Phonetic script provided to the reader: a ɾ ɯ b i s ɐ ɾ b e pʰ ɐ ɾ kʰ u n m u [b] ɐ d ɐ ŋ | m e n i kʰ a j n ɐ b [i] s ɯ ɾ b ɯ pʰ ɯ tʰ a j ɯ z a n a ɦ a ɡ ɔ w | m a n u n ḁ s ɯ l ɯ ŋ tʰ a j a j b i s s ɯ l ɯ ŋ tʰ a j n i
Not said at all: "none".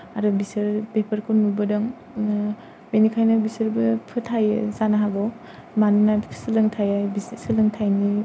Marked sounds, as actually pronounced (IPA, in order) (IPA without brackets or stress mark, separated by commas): b, i